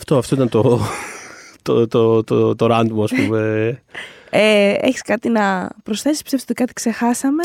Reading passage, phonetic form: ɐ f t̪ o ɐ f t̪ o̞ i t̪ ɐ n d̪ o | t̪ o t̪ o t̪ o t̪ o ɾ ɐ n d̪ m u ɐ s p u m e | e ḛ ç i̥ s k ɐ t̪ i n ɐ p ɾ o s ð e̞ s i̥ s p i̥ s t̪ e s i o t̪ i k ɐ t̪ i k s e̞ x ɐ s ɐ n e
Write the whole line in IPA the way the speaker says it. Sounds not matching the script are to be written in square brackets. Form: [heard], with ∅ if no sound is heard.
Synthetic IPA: ɐ f t̪ o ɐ f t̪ o̞ i t̪ ɐ n [t̪] o | t̪ o t̪ o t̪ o t̪ o ɾ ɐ n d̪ m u ɐ s p u m e | e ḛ ç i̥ s k ɐ t̪ i n ɐ p ɾ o s [θ] e̞ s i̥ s p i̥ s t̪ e s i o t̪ i k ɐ t̪ i k s e̞ x ɐ s ɐ [m] e